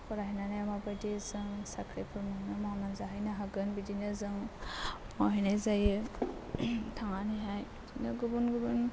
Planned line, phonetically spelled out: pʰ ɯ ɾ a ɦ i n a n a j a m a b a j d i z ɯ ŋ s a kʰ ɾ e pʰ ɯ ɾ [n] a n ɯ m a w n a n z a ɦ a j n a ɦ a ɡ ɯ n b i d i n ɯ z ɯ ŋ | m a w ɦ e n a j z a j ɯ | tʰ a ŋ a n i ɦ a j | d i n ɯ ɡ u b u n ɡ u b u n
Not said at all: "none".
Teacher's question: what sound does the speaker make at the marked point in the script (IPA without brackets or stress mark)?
m